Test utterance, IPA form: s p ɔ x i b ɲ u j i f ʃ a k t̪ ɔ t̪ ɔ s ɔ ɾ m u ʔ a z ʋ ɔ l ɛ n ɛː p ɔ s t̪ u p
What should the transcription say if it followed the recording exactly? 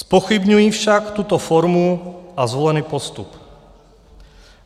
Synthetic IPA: s p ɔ x i b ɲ u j i f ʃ a k t̪ u t̪ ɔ f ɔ ɾ m u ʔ a z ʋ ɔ l ɛ n iː p ɔ s t̪ u p